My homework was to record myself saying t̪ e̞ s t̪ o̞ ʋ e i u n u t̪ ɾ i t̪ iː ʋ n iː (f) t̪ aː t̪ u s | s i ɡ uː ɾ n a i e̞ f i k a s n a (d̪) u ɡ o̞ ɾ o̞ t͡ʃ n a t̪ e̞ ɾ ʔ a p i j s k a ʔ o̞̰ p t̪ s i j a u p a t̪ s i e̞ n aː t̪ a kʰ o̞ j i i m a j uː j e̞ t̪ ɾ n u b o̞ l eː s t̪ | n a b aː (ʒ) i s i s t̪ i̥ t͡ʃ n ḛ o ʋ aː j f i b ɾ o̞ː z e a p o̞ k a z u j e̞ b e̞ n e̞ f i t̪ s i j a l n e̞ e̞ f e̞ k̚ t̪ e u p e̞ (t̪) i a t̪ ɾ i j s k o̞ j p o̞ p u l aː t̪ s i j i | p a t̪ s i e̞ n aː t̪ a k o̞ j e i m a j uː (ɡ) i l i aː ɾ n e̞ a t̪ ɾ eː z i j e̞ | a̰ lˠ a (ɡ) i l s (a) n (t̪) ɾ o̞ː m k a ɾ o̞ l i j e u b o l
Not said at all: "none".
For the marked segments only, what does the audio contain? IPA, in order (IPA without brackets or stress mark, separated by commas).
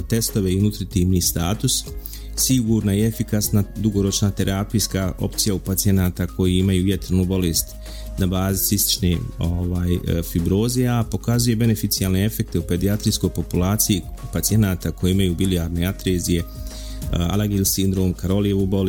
s, d̪, z, d̪, b, ɡ, i, d̪